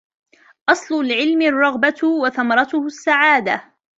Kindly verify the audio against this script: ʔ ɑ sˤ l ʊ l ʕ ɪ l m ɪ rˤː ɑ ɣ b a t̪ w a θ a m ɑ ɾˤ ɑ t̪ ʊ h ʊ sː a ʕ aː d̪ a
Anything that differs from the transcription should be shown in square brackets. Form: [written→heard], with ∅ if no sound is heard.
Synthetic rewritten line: ʔ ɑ sˤ l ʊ l ʕ ɪ l m ɪ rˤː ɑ ɣ b a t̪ w a θ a m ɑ ɾˤ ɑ t̪ ʊ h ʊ sː a ʕ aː d̪ a